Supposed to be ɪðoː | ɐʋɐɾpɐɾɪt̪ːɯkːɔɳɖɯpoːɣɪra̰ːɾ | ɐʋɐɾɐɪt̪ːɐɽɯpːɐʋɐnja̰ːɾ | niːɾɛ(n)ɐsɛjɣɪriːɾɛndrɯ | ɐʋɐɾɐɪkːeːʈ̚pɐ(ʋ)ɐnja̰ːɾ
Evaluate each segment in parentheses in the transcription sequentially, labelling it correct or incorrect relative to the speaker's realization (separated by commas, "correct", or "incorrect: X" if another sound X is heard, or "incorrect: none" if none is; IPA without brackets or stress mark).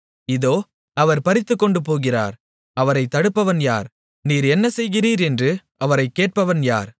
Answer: incorrect: nː, correct